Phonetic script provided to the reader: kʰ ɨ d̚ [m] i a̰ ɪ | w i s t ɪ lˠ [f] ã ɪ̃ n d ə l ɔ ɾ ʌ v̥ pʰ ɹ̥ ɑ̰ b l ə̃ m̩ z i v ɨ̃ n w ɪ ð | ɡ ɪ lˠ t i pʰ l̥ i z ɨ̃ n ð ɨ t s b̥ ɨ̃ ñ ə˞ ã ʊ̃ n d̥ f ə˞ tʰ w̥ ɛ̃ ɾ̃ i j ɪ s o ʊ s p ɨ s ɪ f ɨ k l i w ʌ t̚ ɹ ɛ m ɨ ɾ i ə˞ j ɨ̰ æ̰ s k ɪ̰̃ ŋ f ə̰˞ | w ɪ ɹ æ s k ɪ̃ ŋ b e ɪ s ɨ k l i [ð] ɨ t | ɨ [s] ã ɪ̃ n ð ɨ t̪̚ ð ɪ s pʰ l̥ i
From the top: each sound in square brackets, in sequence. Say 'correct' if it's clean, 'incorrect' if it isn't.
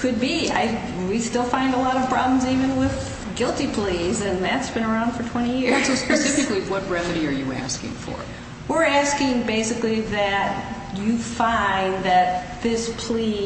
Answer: incorrect: b, correct, correct, incorrect: f

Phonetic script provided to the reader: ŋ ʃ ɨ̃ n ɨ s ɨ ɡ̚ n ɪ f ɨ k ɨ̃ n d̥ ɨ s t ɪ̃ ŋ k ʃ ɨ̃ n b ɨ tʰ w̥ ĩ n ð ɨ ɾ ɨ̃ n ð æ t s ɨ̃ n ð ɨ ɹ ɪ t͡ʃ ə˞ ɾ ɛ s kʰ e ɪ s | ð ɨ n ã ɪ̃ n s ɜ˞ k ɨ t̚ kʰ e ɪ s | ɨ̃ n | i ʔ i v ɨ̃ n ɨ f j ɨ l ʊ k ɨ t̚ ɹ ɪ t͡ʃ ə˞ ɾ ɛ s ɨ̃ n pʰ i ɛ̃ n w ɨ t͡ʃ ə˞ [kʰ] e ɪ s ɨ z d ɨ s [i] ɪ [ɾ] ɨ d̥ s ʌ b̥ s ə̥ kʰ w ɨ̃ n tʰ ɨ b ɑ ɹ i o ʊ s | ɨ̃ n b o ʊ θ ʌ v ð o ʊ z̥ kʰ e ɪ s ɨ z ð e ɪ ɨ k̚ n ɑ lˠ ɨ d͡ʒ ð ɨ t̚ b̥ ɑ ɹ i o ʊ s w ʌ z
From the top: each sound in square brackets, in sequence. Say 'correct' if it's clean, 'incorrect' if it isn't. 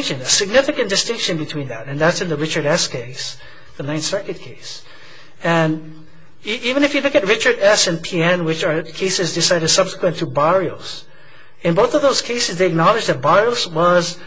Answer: correct, incorrect: a, correct

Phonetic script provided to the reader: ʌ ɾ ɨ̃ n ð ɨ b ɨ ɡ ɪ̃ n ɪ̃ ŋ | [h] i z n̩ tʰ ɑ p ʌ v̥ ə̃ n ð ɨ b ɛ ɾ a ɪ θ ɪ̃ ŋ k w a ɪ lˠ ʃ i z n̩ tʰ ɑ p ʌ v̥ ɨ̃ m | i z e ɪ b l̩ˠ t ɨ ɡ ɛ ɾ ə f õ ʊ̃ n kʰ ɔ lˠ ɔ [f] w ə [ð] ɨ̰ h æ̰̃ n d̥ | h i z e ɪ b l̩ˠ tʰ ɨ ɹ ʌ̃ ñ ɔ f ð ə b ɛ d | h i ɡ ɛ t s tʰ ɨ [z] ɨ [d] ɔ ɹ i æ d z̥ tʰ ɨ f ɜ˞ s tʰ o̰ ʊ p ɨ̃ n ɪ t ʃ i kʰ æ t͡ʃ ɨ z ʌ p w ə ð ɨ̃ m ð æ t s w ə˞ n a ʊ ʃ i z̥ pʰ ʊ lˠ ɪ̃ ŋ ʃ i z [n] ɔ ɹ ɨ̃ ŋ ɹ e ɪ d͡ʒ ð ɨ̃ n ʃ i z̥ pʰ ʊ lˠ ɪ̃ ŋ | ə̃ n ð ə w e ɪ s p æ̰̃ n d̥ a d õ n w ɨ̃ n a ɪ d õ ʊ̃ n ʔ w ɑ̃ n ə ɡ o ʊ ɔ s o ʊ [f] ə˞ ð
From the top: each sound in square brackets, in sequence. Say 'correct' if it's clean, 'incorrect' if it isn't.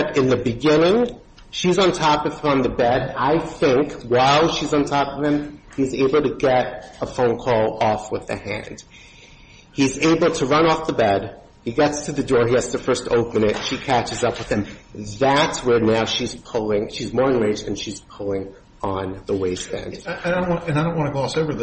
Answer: incorrect: ʃ, correct, correct, incorrect: ð, correct, incorrect: m, incorrect: v

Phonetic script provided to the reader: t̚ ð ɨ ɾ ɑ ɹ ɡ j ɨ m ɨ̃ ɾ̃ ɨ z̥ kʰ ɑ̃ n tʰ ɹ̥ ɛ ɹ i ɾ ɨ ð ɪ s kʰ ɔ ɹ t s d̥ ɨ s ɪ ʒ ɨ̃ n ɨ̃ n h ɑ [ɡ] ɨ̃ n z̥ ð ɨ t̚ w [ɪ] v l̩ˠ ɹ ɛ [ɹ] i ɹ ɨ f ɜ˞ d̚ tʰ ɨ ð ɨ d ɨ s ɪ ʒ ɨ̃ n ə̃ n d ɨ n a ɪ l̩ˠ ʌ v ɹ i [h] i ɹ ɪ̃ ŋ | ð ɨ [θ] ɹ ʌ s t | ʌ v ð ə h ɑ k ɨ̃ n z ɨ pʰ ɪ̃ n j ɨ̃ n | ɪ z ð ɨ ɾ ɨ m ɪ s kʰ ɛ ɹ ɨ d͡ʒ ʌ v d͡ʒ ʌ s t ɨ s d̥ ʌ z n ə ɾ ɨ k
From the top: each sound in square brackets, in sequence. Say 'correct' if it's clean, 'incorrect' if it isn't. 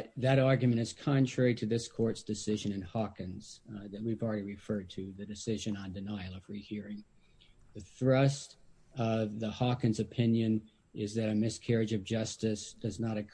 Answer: incorrect: k, incorrect: i, incorrect: ɾ, correct, correct

